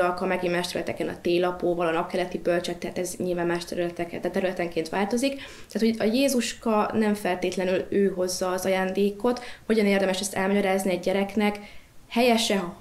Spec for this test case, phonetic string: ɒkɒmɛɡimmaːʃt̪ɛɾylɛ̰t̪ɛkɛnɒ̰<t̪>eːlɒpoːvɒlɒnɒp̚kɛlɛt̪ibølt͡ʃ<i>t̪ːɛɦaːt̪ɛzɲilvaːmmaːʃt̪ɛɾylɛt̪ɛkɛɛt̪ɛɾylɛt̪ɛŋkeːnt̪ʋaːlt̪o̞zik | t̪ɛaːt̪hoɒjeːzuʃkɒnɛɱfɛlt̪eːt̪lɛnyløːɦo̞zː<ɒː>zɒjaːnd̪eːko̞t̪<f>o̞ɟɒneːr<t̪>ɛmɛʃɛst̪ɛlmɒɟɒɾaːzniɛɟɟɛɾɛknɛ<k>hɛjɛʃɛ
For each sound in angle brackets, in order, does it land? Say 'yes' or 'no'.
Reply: yes, no, yes, no, no, yes

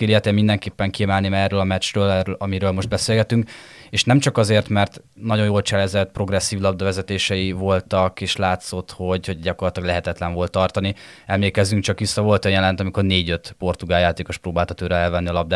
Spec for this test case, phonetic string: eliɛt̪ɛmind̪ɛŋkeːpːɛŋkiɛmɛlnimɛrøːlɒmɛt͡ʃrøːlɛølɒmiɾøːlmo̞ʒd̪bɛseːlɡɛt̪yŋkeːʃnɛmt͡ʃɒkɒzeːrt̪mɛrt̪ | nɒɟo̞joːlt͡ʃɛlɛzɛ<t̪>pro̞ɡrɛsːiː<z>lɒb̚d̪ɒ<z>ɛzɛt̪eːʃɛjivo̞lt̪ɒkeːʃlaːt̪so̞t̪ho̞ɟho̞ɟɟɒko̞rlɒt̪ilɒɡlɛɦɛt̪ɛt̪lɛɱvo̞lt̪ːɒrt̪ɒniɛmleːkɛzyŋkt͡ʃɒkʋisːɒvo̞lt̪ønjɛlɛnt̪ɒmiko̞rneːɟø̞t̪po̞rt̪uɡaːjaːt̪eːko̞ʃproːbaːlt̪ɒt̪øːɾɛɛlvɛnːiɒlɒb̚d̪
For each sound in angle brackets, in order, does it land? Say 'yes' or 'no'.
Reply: yes, no, no

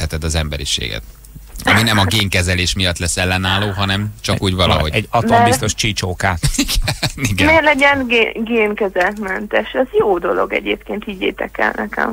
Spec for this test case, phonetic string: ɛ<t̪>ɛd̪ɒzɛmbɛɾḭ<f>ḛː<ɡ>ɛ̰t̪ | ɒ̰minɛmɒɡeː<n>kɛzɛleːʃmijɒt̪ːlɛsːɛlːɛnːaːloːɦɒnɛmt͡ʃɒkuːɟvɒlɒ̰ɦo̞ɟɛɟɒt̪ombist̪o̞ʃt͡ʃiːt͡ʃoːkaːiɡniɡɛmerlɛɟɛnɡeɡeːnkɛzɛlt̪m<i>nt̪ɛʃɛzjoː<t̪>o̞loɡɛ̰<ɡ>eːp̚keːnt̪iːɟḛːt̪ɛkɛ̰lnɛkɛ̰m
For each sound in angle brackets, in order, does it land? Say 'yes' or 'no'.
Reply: yes, no, yes, no, no, no, no

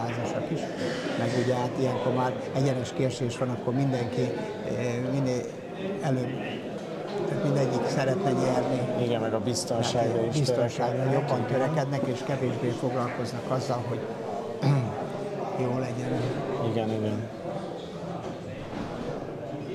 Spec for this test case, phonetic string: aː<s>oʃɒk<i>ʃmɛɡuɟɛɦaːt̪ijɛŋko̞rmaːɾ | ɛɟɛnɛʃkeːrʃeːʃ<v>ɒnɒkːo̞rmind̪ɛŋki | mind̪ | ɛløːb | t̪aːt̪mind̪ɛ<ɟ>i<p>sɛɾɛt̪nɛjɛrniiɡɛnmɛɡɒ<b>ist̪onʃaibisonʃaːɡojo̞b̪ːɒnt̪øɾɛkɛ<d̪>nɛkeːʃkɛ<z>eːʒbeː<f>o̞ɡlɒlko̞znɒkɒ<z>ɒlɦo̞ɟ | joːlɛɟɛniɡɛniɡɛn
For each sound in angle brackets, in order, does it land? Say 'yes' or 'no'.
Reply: no, yes, no, no, no, yes, yes, no, yes, no

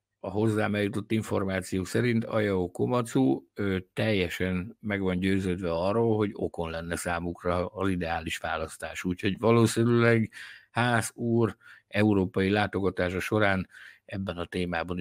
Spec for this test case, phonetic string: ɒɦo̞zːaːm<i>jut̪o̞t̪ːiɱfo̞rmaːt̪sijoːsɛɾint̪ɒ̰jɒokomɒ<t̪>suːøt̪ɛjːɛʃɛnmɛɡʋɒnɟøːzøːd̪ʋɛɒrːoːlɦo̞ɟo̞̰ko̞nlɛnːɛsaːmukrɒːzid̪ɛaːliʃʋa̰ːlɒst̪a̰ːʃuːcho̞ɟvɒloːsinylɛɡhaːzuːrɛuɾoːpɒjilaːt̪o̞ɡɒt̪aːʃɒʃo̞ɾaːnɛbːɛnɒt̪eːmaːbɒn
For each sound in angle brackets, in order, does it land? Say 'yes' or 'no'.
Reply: no, yes

